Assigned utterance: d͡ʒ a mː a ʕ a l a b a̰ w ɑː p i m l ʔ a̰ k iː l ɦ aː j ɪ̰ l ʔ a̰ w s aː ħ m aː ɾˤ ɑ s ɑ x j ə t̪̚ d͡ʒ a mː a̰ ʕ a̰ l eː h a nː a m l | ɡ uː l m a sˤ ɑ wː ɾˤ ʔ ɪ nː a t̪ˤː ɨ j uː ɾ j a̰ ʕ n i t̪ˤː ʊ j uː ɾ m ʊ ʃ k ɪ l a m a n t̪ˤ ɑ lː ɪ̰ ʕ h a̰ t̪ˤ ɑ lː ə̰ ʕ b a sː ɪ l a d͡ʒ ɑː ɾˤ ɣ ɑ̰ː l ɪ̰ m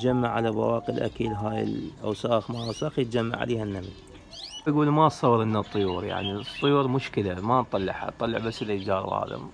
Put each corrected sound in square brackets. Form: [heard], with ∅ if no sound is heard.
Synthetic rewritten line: d͡ʒ a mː a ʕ a l a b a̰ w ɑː [q] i [∅] l ʔ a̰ k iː l ɦ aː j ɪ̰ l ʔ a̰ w s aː [x] m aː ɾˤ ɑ s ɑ x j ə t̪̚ d͡ʒ a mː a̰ ʕ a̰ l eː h a nː a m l | ɡ uː l m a sˤ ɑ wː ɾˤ ʔ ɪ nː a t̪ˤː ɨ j uː ɾ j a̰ ʕ n i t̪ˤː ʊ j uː ɾ m ʊ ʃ k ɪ l a m a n t̪ˤ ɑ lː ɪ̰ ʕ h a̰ t̪ˤ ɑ lː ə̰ ʕ b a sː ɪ l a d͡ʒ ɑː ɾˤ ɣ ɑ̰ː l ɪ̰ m